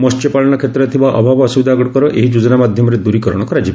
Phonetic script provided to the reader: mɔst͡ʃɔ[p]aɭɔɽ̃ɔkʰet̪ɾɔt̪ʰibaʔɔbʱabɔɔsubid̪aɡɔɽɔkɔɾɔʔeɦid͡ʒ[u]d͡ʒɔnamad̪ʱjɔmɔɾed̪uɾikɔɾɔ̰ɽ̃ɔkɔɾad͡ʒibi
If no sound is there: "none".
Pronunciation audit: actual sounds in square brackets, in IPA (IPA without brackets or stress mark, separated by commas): p, u